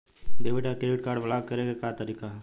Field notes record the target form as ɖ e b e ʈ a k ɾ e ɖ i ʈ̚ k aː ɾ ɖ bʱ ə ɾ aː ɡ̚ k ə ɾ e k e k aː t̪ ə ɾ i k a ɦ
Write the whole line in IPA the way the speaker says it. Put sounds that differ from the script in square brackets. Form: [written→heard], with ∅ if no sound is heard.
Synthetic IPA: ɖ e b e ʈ a k ɾ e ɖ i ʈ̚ k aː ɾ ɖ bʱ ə [ɾ→l] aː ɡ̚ k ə ɾ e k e k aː t̪ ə ɾ i k a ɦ